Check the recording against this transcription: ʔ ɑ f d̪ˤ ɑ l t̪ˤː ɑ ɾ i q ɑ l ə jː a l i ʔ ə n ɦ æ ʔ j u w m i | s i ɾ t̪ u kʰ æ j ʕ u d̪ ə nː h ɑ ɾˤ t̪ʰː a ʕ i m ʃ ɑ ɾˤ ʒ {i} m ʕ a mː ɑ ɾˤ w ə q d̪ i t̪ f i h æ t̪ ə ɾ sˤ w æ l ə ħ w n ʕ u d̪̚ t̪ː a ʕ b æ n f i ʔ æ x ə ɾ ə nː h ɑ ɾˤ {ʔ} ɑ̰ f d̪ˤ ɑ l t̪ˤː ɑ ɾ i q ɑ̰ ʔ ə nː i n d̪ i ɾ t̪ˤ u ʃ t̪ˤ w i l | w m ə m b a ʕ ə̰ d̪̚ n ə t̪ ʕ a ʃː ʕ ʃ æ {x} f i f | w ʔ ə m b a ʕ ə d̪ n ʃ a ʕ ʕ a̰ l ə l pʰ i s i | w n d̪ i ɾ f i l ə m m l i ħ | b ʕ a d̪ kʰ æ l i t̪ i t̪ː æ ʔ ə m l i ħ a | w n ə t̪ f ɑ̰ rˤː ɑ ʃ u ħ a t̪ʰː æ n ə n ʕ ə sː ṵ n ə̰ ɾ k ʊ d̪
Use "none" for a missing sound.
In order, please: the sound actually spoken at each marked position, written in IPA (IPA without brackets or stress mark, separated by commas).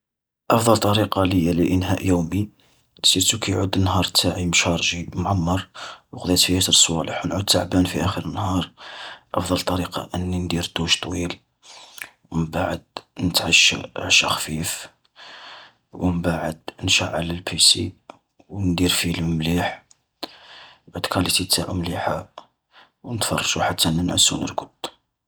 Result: i, ʔ, x